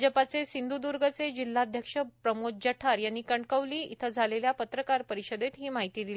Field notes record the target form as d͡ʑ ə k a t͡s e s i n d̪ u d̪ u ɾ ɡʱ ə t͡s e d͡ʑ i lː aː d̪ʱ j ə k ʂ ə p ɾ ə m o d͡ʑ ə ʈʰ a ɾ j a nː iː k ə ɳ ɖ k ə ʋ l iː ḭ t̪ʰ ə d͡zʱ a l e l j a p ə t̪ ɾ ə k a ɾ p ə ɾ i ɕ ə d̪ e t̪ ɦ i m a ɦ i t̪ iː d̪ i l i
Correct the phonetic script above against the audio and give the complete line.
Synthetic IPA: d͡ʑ ə p a t͡s e s i n d̪ u d̪ u ɾ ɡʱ ə t͡s e d͡ʑ i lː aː d̪ʱ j ə k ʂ ə p ɾ ə m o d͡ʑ ə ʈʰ a ɾ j a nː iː k ə ɳ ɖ k ə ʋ l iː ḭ t̪ʰ ə d͡zʱ a l e l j a p ə t̪ ɾ ə k a ɾ p ə ɾ i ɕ ə d̪ e t̪ ɦ iː m a ɦ i t̪ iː d̪ i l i

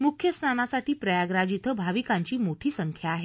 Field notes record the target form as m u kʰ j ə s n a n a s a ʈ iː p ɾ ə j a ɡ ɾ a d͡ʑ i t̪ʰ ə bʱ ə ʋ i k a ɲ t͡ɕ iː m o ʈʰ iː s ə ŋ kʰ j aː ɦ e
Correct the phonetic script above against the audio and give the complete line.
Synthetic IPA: m u kʰ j ə s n a n a s a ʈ iː p ɾ ə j a ɡ ɾ a d͡ʑ i t̪ʰ ə bʱ a ʋ i k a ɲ t͡ɕ iː m o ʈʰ iː s ə ŋ kʰ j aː ɦ e

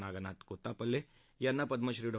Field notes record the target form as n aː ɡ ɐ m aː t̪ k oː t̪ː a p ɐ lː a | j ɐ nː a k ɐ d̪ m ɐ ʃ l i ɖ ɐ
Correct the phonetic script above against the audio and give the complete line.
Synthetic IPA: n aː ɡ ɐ n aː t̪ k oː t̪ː a p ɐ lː e | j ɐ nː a p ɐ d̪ m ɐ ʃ ɾ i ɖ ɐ

